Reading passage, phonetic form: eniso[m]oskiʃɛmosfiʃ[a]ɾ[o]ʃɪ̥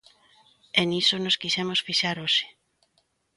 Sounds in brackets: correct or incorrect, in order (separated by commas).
incorrect, correct, correct